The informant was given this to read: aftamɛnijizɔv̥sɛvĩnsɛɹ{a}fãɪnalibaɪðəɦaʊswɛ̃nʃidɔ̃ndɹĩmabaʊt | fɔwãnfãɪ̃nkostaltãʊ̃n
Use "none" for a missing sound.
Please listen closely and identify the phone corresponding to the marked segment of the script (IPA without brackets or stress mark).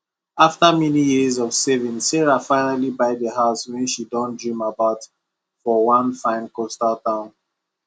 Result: a